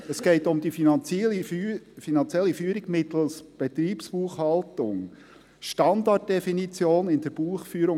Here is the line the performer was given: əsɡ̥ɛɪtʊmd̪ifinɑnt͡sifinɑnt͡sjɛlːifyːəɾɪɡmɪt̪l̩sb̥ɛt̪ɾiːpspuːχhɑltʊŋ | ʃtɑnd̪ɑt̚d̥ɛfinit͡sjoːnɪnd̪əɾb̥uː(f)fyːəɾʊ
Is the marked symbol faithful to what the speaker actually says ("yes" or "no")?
no